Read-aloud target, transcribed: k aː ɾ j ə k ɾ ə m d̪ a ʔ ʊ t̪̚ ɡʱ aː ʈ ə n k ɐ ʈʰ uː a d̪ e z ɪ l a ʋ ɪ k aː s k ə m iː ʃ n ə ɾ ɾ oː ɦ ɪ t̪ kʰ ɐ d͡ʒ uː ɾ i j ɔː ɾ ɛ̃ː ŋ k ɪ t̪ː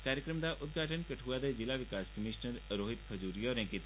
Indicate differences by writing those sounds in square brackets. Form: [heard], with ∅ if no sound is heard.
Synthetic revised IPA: k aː ɾ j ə k ɾ ə m d̪ a ʔ ʊ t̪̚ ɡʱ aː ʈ ə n k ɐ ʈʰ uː a d̪ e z ɪ l a ʋ ɪ k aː s k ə m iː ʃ n ə ɾ ɾ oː ɦ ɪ t̪ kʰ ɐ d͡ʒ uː ɾ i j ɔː ɾ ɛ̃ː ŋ k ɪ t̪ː